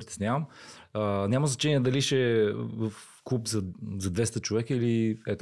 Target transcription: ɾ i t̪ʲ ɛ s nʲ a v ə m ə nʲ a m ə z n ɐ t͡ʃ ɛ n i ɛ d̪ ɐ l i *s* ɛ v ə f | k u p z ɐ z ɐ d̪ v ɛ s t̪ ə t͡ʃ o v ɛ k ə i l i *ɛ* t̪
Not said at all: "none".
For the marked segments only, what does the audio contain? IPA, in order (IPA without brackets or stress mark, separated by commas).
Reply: ʃ, ɛ